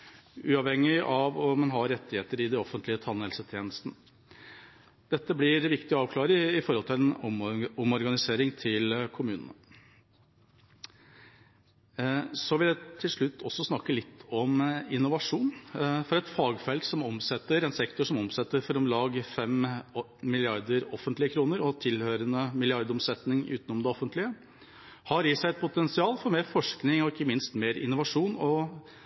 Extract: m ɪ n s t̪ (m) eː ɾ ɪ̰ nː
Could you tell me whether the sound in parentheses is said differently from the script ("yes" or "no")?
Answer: no